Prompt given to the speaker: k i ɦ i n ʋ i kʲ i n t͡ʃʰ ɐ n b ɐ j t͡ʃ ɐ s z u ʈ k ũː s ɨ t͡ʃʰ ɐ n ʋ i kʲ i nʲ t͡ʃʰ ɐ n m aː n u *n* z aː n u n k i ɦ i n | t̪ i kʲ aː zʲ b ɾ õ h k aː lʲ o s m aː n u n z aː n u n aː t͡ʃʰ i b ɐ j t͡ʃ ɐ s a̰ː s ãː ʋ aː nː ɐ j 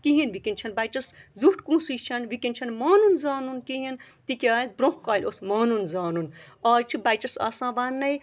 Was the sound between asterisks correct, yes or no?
yes